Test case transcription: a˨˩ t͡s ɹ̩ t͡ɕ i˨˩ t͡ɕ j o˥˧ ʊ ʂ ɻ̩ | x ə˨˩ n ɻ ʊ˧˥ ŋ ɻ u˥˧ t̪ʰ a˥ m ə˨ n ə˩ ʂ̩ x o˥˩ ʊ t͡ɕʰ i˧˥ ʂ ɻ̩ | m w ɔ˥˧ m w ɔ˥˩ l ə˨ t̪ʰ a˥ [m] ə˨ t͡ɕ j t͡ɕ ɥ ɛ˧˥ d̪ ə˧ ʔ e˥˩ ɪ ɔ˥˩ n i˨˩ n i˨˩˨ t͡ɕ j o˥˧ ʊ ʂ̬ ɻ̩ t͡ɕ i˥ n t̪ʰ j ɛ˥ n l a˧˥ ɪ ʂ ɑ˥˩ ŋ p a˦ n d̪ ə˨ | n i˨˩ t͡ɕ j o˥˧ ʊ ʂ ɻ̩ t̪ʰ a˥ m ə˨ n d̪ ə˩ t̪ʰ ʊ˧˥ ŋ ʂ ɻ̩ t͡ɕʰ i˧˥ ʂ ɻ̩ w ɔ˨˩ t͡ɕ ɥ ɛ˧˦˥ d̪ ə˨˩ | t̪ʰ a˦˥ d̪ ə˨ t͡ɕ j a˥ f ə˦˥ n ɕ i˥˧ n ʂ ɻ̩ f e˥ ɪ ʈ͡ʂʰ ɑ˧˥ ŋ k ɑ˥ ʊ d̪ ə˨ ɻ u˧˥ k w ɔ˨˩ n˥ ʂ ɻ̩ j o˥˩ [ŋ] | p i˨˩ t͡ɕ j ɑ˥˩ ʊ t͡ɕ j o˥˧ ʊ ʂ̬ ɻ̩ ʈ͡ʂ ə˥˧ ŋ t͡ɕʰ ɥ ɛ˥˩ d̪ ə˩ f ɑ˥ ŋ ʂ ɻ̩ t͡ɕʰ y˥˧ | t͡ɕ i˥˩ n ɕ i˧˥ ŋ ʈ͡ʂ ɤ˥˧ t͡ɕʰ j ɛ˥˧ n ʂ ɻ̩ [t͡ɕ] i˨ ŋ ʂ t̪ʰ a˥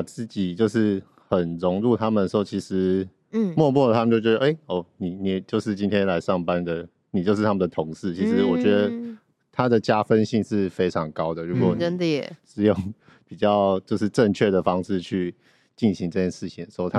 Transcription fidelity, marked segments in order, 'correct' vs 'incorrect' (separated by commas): correct, correct, incorrect